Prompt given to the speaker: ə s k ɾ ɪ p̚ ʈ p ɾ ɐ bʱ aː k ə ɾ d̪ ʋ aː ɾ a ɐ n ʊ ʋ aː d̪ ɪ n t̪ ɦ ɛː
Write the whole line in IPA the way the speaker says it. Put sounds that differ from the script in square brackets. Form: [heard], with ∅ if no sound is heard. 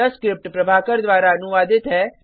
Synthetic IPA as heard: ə s k ɾ ɪ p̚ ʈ p ɾ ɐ bʱ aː k ə ɾ d̪ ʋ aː ɾ a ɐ n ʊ ʋ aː d̪ ɪ [∅] t̪ ɦ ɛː